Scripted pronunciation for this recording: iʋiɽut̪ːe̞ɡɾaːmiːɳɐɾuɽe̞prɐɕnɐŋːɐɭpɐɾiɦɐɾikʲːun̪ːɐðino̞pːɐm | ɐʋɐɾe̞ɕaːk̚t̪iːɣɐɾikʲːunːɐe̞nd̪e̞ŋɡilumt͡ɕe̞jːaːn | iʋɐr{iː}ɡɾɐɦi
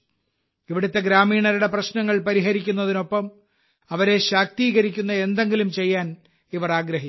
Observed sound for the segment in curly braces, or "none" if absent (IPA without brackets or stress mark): aː